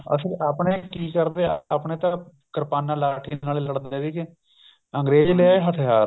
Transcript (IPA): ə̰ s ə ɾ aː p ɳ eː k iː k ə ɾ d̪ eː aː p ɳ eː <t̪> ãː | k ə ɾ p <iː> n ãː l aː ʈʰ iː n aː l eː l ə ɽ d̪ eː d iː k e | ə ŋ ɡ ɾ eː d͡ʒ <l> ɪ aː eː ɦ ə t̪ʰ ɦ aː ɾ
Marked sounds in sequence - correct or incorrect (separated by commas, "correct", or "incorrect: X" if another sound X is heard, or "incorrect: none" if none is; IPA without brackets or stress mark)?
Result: correct, incorrect: aː, correct